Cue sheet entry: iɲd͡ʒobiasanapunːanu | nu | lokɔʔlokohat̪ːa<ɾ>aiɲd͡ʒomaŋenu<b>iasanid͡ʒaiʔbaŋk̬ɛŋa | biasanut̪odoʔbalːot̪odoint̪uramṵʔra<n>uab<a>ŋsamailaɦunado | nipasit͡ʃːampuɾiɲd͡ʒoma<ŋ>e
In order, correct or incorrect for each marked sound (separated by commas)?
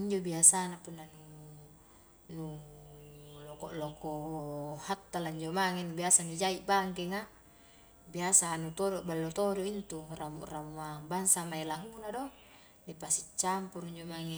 incorrect, correct, incorrect, correct, correct